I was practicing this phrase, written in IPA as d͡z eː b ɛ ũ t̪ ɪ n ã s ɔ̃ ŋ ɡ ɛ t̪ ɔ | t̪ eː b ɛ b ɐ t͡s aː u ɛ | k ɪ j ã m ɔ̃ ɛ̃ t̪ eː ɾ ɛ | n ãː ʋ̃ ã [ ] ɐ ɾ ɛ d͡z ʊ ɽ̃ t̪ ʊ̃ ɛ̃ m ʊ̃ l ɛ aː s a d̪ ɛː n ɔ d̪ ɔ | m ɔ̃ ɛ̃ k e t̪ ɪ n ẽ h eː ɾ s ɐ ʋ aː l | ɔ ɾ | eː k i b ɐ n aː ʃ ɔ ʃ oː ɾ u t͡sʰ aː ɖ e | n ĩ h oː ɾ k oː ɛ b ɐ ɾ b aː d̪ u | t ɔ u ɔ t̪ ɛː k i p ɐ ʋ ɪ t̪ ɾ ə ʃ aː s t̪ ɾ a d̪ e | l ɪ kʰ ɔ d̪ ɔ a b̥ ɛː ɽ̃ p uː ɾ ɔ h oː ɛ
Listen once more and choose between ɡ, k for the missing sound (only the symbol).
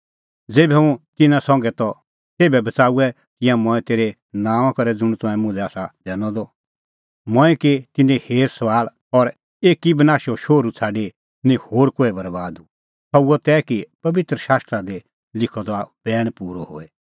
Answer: k